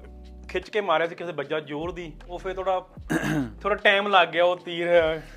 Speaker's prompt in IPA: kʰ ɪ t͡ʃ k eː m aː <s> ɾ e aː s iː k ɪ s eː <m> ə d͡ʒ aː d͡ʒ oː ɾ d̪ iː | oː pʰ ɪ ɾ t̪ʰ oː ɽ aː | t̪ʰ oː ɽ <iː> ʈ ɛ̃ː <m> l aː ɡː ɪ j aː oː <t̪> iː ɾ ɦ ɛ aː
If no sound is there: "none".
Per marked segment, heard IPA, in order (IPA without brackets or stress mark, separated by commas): none, b, aː, m, t̪